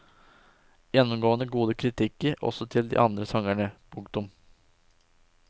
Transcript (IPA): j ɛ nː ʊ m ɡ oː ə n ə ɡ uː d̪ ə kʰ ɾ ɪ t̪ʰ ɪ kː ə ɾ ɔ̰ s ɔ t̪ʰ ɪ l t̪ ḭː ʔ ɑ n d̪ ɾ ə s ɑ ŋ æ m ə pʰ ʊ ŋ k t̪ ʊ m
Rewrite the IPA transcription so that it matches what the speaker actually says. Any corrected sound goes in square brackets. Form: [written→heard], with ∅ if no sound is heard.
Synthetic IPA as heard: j ɛ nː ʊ m ɡ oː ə n ə ɡ uː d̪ ə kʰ ɾ ɪ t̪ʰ ɪ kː ə ɾ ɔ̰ s ɔ t̪ʰ ɪ l [t̪→d̪] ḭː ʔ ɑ n d̪ ɾ ə s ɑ ŋ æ [m→ɳ] ə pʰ ʊ ŋ k t̪ ʊ m